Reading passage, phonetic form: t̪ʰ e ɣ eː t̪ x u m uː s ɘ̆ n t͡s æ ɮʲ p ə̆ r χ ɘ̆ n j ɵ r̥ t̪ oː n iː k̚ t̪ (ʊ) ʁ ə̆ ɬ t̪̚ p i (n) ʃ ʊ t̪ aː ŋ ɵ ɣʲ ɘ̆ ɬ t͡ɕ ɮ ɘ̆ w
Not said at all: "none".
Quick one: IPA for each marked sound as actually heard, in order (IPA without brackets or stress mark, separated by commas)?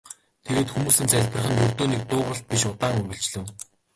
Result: ʊː, none